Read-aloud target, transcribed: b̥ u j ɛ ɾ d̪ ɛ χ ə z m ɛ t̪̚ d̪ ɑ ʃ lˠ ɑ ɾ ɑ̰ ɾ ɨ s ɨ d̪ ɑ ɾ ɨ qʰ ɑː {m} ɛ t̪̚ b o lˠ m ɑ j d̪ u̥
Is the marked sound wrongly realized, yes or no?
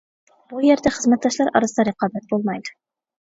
yes